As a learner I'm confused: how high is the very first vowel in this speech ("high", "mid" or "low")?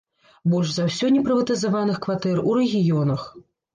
mid